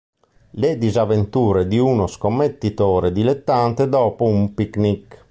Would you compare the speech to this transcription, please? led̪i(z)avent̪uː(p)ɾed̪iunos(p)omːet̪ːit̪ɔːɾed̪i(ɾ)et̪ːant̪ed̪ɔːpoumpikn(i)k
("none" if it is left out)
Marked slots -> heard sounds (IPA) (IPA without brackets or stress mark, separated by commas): z, none, k, l, i